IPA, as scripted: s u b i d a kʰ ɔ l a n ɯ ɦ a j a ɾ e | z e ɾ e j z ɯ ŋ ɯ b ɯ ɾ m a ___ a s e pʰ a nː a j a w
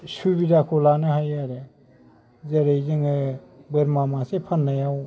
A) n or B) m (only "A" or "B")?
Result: B